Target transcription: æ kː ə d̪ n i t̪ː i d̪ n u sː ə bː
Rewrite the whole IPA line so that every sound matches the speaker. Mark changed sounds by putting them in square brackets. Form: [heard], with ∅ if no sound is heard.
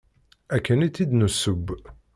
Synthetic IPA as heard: æ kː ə [∅] n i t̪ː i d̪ n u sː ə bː